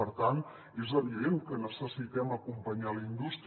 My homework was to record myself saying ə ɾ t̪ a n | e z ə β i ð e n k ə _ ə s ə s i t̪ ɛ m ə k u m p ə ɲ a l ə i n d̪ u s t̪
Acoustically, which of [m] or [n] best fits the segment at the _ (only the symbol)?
n